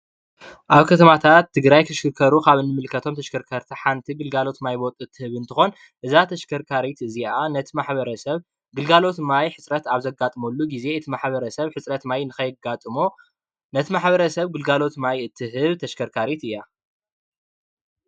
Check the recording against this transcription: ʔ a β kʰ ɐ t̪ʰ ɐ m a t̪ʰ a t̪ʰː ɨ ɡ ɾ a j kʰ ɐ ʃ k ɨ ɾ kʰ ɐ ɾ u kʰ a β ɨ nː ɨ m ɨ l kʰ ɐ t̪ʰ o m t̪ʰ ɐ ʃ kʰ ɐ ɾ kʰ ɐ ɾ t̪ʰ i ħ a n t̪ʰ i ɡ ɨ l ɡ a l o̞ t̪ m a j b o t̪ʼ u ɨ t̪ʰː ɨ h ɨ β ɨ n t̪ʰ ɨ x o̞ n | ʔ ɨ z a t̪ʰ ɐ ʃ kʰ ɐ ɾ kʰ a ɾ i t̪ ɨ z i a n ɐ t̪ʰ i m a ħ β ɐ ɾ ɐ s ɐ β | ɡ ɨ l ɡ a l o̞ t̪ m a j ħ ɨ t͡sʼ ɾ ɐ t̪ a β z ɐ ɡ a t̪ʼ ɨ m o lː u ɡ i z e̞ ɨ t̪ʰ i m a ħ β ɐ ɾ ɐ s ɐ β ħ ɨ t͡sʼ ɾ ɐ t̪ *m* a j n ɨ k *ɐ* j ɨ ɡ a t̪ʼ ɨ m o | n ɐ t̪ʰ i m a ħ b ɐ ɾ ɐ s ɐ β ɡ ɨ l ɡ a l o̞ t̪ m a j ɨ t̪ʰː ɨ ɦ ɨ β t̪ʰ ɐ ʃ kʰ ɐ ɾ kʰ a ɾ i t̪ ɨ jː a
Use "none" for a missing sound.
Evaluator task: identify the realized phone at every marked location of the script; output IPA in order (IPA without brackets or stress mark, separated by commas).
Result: m, ɐ